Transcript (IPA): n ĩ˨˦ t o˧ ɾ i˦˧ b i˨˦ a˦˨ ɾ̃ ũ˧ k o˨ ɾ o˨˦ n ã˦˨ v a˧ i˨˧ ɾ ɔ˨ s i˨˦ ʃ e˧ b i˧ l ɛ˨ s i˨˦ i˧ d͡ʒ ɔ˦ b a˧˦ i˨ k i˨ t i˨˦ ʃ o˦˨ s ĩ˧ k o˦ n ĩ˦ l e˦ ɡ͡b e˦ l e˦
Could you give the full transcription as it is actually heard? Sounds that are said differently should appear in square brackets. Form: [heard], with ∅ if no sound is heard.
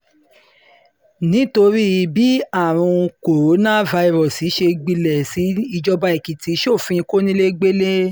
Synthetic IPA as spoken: n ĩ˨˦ t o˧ ɾ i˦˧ b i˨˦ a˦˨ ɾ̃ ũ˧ k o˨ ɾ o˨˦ n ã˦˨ v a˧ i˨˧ ɾ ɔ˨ s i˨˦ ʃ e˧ [ɡ͡b] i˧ l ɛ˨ s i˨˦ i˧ d͡ʒ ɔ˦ b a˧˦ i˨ k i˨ t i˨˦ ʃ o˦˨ [f] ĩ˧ k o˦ n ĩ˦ l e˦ ɡ͡b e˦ l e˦